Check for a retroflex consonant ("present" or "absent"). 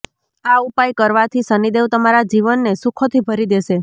absent